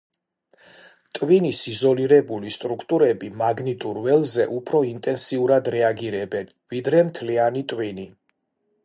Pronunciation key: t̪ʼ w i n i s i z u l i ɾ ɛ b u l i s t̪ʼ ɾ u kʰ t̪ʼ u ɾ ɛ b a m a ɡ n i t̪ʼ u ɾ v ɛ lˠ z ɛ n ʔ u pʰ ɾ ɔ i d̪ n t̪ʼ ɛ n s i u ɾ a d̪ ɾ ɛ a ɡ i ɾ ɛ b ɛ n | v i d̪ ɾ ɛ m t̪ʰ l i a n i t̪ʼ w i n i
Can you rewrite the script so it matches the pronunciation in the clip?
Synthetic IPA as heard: t̪ʼ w i n i s i z ɔ l i ɾ ɛ b u l i s t̪ʼ ɾ u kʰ t̪ʼ u ɾ ɛ b i m a ɡ n i t̪ʼ u ɾ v ɛ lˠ z ɛ ʔ u pʰ ɾ ɔ i n t̪ʼ ɛ n s i u ɾ a d̪ ɾ ɛ a ɡ i ɾ ɛ b ɛ n | v i d̪ ɾ ɛ m t̪ʰ l i a n i t̪ʼ w i n i